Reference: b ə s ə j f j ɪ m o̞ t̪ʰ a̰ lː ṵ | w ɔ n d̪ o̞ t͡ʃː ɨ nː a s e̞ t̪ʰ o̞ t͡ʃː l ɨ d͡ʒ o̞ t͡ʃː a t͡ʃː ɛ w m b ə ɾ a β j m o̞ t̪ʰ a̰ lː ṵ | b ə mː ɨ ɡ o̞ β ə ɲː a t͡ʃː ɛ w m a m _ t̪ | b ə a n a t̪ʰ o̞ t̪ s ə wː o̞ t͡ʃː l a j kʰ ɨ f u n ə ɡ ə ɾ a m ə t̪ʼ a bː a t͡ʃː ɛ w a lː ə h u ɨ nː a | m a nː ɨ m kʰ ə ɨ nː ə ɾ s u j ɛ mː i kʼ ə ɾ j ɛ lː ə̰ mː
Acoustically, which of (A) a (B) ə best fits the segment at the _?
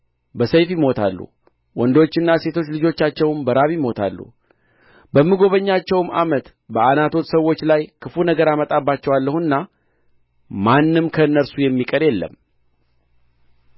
B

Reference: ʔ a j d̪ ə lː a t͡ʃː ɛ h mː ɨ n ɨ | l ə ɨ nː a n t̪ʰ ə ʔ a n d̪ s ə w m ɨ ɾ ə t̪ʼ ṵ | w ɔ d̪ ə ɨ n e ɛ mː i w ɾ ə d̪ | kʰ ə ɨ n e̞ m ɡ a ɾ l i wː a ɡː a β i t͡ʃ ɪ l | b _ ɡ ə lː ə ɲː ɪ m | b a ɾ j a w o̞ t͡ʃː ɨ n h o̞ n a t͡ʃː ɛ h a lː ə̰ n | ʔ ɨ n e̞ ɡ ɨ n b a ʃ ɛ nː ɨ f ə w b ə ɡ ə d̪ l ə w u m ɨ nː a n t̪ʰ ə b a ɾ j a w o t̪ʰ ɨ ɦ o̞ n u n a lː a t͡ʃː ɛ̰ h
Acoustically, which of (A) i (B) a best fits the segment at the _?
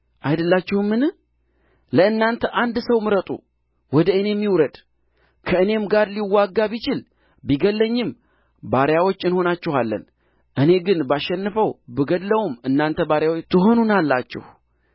A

